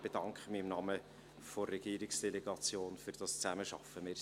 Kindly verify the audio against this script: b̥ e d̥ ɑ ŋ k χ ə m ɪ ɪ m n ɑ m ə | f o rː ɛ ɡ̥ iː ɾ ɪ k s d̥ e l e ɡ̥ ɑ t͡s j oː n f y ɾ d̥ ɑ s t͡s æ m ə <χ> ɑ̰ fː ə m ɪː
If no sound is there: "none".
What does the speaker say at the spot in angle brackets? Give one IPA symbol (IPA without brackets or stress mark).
ʃ